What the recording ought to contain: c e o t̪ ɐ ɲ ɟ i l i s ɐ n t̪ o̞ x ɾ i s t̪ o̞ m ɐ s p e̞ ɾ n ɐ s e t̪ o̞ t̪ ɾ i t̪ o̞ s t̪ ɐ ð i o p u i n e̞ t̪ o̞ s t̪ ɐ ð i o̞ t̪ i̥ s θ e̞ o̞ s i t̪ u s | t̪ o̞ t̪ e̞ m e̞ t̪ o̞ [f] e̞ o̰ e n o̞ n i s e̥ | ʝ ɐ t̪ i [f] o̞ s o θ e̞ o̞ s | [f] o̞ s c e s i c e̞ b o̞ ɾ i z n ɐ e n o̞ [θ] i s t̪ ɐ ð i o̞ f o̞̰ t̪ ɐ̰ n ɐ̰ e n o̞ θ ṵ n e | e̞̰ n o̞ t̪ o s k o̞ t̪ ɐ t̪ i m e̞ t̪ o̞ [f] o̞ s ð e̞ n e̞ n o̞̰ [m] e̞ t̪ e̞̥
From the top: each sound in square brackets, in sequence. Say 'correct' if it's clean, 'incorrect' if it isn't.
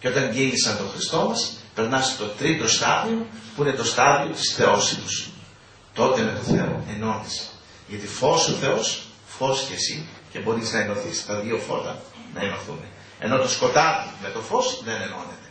incorrect: θ, correct, correct, correct, correct, incorrect: n

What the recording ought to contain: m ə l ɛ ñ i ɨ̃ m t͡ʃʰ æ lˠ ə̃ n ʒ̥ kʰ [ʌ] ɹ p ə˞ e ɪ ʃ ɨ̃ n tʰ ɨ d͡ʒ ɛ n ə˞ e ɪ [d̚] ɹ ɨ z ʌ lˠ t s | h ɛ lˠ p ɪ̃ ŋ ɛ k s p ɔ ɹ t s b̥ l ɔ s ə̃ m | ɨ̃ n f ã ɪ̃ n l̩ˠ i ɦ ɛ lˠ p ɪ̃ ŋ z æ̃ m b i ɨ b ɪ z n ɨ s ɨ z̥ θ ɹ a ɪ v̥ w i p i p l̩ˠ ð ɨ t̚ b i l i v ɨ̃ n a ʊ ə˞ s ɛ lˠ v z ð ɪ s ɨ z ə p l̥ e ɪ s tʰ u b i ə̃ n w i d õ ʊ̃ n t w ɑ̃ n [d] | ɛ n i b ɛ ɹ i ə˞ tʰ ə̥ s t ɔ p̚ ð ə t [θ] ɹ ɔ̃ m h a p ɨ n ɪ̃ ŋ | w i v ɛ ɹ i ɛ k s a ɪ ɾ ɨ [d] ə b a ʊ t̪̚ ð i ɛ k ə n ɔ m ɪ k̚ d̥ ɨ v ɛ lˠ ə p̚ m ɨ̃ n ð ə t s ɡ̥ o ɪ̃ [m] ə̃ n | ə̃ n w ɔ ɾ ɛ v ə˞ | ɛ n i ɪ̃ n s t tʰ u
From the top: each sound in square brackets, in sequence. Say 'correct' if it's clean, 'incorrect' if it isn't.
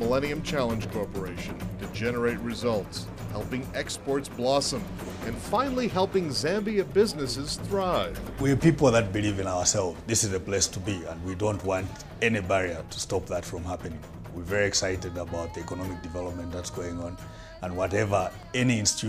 incorrect: ɔ, incorrect: t̚, incorrect: t, incorrect: f, correct, incorrect: ŋ

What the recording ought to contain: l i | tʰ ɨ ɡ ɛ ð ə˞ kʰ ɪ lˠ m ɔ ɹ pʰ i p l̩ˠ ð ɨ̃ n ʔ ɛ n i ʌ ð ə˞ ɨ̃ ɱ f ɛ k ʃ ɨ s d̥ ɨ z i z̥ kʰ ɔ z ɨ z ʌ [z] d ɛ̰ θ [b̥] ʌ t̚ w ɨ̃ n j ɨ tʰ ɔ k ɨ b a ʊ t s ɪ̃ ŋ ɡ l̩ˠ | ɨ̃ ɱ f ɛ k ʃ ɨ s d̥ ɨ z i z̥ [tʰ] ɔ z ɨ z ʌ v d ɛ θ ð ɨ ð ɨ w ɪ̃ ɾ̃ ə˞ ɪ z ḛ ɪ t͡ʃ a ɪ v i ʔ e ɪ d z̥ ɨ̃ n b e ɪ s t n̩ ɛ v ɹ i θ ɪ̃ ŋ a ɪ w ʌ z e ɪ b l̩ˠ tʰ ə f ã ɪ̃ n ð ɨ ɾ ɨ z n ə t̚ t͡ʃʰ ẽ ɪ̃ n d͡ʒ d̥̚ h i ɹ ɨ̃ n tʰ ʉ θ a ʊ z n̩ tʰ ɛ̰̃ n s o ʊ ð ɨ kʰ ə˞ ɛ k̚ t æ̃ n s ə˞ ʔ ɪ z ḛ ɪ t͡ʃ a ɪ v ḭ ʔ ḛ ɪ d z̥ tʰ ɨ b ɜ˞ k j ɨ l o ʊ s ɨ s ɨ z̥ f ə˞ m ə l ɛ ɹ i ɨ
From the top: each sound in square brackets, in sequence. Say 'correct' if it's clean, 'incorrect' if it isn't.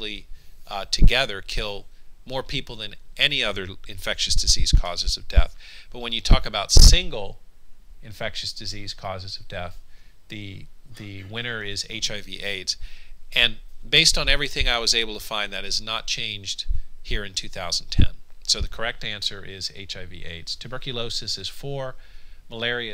incorrect: v, correct, incorrect: kʰ

